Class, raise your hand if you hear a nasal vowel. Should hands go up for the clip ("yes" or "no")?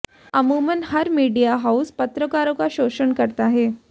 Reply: no